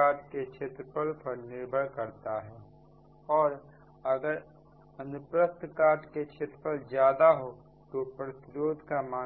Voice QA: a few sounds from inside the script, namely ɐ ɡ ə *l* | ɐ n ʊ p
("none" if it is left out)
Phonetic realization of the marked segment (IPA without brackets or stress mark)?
ɾ